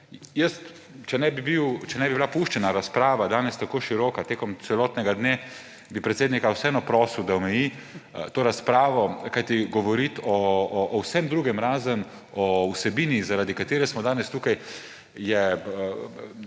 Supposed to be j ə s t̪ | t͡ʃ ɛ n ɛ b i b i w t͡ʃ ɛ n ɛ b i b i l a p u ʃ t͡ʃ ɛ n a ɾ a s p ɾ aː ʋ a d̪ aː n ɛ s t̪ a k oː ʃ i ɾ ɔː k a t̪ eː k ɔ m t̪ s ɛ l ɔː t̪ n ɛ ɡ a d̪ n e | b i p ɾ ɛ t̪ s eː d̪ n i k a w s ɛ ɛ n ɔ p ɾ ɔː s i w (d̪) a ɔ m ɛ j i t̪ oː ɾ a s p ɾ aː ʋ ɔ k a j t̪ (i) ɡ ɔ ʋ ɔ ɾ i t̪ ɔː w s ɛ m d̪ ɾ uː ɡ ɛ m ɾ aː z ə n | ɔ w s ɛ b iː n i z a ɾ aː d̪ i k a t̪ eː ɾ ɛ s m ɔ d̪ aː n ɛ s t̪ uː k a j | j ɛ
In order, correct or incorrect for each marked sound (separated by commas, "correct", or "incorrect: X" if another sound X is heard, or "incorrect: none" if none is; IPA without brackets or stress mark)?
correct, correct